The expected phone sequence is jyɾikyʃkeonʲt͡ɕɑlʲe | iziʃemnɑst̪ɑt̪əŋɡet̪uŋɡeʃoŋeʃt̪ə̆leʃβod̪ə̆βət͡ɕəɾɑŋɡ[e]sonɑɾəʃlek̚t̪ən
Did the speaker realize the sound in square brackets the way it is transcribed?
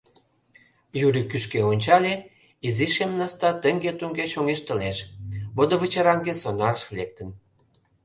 yes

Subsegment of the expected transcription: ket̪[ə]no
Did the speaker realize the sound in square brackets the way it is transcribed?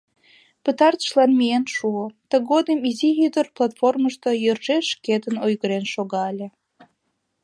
yes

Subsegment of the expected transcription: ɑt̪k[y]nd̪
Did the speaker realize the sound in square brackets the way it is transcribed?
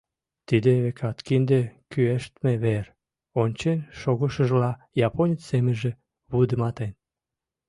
no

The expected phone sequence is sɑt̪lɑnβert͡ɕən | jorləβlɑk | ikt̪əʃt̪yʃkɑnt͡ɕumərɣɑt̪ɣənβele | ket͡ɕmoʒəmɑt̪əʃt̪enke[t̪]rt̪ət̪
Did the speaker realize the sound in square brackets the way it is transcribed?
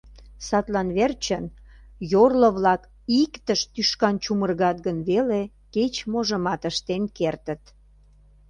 no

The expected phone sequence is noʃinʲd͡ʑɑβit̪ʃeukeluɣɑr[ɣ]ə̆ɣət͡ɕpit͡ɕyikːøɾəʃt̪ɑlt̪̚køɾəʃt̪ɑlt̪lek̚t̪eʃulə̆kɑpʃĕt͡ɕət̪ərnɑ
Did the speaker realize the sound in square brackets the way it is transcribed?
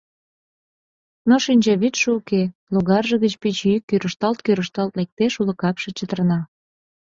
no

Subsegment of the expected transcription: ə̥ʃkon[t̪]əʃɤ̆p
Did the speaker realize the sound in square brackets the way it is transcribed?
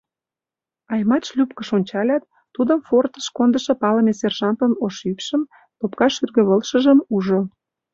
no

